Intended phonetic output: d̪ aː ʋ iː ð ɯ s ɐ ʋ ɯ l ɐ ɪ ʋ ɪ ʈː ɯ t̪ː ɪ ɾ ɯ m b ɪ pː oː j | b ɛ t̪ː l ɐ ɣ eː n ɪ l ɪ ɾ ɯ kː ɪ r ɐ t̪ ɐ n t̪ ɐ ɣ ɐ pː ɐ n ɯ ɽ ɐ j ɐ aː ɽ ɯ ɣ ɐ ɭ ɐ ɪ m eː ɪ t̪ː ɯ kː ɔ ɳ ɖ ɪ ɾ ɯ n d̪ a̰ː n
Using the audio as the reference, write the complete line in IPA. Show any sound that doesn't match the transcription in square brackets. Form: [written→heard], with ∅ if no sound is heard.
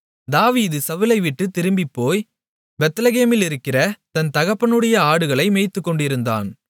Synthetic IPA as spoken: d̪ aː ʋ iː ð ɯ s ɐ ʋ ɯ l ɐ ɪ ʋ ɪ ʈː ɯ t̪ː ɪ ɾ ɯ m b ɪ pː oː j | b ɛ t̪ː l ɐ ɣ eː [n→m] ɪ l ɪ ɾ ɯ kː ɪ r ɐ t̪ ɐ n t̪ ɐ ɣ ɐ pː ɐ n ɯ ɽ ɐ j ɐ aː ɽ ɯ ɣ ɐ ɭ ɐ ɪ m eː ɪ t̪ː ɯ kː ɔ ɳ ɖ ɪ ɾ ɯ n d̪ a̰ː n